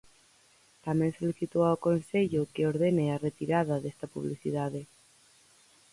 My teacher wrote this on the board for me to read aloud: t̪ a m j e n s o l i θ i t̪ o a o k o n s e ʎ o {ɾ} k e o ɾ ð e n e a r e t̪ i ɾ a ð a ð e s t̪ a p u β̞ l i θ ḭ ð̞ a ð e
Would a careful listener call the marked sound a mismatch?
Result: yes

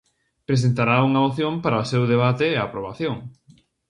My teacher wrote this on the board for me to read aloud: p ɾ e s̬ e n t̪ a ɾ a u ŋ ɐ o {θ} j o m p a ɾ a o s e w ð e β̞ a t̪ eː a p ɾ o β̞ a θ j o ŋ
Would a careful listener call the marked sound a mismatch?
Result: no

